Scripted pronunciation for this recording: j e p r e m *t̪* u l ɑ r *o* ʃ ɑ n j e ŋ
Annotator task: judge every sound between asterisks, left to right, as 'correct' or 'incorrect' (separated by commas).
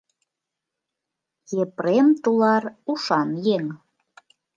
correct, incorrect